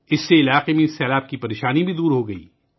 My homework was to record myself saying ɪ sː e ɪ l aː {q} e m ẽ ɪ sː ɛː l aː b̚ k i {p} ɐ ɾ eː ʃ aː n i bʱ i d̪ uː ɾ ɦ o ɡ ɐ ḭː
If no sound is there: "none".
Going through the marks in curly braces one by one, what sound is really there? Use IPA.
q, p

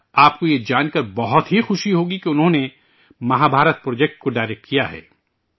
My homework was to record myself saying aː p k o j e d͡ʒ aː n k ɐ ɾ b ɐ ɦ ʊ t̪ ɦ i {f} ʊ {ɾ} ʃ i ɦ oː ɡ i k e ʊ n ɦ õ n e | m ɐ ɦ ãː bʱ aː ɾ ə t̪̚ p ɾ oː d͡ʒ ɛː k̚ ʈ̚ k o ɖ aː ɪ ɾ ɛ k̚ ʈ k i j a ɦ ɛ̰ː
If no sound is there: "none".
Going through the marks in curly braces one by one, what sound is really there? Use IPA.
x, none

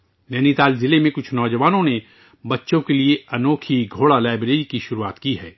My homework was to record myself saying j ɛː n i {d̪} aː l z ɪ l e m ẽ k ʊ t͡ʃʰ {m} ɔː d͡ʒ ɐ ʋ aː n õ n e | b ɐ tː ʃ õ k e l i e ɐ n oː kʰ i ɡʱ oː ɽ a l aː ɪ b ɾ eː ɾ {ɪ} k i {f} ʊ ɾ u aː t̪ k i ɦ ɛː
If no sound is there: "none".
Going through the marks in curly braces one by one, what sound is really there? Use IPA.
t̪, n, i, ʃ

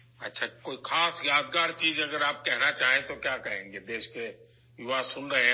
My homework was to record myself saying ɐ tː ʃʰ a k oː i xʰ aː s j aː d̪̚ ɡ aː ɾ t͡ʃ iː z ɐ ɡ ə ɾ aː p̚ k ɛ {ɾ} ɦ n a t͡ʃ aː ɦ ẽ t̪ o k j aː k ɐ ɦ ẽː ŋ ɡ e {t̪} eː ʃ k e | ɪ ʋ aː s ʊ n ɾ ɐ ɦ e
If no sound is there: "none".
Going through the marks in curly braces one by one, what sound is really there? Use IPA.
none, d̪

